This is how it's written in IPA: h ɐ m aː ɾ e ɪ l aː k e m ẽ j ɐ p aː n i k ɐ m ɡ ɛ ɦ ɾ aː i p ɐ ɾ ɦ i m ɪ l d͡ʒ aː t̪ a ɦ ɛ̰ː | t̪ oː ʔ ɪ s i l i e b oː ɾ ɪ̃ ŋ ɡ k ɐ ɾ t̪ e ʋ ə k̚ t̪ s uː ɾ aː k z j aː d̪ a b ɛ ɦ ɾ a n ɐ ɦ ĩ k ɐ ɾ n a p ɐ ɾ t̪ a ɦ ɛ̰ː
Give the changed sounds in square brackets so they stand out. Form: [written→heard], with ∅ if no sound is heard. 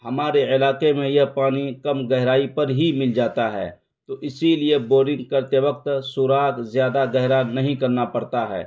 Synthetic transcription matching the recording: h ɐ m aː ɾ e ɪ l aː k e m ẽ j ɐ p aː n i k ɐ m ɡ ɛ ɦ ɾ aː i p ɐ ɾ ɦ i m ɪ l d͡ʒ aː t̪ a ɦ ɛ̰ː | t̪ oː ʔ ɪ s i l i e b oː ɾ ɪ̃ ŋ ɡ k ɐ ɾ t̪ e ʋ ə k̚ t̪ s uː ɾ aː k z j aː d̪ a [b→ɡ] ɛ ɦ ɾ a n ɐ ɦ ĩ k ɐ ɾ n a p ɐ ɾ t̪ a ɦ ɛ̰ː